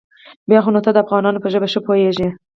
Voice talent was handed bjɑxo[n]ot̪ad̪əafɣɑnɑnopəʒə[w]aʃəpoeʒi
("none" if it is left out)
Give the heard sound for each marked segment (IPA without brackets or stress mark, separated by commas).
n, b